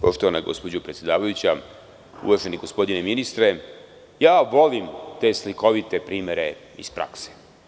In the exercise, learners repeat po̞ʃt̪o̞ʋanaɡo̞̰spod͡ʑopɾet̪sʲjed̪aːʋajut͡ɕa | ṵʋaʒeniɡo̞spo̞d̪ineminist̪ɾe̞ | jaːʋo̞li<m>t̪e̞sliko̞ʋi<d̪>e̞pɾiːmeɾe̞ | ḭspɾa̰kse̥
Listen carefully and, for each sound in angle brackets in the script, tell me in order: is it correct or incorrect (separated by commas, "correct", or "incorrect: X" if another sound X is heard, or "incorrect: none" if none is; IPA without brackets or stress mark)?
correct, incorrect: t̪